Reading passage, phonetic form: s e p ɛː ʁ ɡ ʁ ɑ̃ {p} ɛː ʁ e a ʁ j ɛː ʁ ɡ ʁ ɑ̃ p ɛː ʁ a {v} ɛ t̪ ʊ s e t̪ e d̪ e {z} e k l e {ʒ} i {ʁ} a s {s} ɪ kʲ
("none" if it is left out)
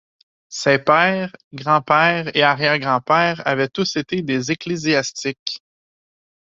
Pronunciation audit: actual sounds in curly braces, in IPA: p, v, z, z, none, t͡s

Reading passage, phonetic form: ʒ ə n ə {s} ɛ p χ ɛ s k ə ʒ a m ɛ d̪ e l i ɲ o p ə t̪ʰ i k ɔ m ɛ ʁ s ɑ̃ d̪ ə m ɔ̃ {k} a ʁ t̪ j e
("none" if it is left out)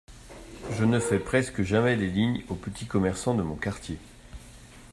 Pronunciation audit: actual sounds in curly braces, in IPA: f, k

